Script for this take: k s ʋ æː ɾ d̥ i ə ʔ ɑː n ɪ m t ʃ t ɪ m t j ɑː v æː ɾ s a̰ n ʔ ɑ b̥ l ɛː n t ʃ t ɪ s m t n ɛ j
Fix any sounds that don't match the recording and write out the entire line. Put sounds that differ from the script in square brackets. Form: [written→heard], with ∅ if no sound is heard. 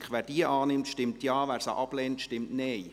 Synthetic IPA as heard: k [s→χ] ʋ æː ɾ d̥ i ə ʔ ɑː n ɪ m t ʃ t ɪ m t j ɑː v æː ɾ s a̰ [n→∅] ʔ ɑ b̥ l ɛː n t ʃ t ɪ [s→∅] m t n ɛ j